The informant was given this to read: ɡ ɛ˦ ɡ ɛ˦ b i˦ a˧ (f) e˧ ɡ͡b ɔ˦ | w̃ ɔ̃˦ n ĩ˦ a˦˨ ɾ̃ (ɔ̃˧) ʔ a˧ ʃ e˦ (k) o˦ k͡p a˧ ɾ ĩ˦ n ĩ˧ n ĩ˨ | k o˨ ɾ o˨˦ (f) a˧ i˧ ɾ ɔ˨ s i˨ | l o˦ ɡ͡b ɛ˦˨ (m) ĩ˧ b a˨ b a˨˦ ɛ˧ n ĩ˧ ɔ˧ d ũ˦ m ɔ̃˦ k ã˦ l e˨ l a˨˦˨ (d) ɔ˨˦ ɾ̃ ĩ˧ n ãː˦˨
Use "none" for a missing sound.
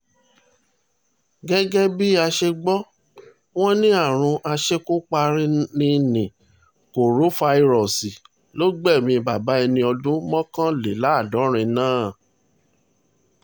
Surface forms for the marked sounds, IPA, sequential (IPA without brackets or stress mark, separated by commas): ʃ, ũ˧, k, f, m, d